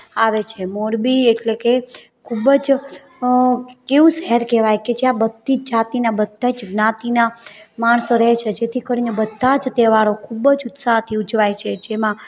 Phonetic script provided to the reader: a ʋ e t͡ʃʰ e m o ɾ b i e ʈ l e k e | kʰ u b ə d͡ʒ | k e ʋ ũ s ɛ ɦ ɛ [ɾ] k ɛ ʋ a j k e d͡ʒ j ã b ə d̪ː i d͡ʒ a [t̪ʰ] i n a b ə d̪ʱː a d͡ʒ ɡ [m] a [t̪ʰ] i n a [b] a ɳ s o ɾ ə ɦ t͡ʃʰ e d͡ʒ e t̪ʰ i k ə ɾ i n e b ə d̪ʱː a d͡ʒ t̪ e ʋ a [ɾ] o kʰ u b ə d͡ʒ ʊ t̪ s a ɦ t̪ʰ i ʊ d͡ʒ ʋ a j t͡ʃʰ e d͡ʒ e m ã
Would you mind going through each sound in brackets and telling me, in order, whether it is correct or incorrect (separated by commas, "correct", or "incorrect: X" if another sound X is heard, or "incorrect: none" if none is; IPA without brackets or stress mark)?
correct, incorrect: t̪, incorrect: n, incorrect: t̪, incorrect: m, correct